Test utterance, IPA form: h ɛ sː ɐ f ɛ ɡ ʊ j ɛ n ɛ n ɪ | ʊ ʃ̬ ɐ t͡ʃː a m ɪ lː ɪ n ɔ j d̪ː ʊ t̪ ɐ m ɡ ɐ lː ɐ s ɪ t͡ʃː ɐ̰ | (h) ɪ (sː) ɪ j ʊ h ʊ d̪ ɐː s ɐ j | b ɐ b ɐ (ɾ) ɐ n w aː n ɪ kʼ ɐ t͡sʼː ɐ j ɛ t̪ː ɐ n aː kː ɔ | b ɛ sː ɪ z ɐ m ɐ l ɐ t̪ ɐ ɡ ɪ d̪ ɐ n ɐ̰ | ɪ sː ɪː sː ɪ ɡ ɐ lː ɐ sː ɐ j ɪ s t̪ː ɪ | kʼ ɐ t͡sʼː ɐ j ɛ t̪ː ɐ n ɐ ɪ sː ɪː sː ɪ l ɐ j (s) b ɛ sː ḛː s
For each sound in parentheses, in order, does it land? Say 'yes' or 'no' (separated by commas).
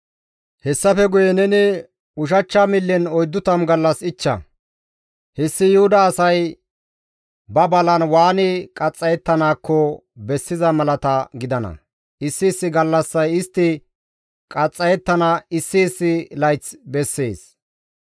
yes, yes, no, no